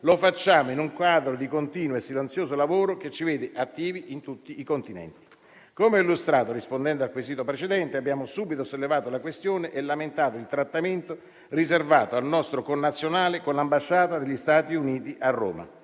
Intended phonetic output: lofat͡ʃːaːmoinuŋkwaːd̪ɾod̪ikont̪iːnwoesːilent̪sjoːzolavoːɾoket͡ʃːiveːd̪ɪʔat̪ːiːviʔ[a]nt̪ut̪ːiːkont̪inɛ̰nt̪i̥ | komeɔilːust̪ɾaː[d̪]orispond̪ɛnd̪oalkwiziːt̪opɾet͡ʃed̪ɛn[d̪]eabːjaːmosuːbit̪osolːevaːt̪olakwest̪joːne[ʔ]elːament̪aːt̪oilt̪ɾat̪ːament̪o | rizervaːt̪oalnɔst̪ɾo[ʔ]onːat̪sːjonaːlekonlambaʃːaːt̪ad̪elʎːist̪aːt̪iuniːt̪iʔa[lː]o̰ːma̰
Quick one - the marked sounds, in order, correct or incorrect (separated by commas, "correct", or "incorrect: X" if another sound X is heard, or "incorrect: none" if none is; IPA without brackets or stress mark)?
incorrect: i, incorrect: t̪, incorrect: t̪, correct, incorrect: k, incorrect: rː